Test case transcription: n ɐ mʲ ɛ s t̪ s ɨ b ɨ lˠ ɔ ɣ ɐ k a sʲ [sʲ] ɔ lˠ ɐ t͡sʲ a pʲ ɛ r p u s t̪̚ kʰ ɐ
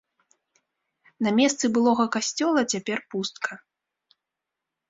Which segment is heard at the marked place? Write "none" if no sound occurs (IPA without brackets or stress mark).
t͡sʲ